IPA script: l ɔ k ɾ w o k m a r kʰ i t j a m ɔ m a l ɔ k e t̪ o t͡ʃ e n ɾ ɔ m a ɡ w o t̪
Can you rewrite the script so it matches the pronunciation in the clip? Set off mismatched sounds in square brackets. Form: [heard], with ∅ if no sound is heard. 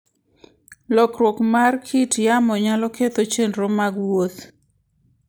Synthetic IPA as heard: l ɔ k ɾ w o k m a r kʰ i t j a m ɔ [ɲ] a l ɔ k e t̪ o t͡ʃ e n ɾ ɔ m a ɡ w o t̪